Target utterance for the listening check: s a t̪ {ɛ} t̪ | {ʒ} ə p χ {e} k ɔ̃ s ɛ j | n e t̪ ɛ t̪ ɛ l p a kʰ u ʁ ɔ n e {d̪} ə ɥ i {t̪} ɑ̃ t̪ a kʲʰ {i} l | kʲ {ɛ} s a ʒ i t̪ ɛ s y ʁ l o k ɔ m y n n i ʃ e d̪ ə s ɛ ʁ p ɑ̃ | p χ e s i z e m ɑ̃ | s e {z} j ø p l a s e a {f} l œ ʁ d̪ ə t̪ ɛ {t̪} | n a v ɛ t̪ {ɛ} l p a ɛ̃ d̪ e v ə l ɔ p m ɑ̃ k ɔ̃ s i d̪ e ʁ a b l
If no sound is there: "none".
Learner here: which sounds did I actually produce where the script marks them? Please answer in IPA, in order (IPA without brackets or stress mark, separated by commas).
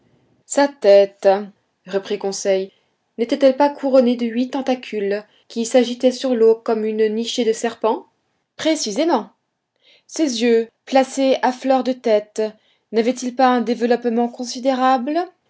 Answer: ɛ, ʁ, i, d̪, t̪, y, i, z, f, t̪, i